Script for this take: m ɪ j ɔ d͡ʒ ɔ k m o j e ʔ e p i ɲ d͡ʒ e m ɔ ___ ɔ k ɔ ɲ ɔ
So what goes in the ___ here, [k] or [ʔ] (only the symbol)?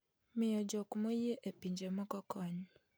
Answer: k